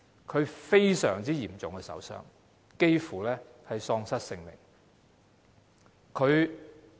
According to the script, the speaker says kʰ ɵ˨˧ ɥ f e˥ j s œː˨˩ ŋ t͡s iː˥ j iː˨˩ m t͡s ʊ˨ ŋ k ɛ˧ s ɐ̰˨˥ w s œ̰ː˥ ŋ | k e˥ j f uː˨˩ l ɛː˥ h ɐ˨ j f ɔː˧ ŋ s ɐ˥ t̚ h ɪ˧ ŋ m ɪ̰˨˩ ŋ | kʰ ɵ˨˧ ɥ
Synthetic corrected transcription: kʰ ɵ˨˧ ɥ f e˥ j s œː˨˩ ŋ t͡s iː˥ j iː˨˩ m t͡s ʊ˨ ŋ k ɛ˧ s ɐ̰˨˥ w s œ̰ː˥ ŋ | k e˥ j f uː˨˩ l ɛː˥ h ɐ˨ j s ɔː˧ ŋ s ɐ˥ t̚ s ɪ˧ ŋ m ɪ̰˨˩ ŋ | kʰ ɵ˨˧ ɥ